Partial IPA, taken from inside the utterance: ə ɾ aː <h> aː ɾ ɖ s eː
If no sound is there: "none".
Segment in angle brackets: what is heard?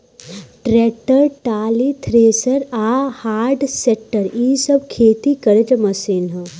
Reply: h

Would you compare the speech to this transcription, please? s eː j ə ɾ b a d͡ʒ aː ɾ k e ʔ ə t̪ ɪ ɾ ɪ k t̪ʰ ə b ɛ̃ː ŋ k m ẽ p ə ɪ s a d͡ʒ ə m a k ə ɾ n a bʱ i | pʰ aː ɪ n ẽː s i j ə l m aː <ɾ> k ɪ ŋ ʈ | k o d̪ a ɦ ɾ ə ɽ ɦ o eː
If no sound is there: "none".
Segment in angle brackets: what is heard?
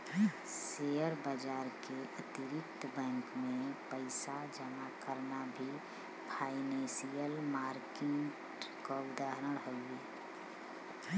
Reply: ɾ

